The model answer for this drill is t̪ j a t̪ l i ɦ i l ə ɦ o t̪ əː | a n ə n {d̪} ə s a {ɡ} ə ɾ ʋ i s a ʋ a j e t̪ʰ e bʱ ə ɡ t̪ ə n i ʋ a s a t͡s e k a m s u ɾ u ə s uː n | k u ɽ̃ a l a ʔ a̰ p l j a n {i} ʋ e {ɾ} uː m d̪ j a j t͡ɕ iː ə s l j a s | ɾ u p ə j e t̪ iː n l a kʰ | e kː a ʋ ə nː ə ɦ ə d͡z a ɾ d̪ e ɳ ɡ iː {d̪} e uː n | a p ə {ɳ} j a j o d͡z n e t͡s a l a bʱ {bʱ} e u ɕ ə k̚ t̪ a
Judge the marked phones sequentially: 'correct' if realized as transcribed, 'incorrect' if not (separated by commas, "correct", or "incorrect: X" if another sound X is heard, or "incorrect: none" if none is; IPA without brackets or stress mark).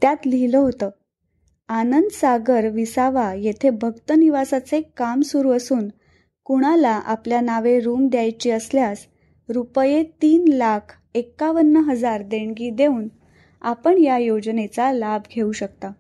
correct, correct, incorrect: a, correct, correct, correct, incorrect: ɡʱ